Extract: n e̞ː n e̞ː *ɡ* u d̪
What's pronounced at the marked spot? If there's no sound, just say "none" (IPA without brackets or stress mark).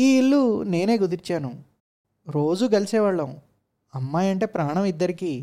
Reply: ɡ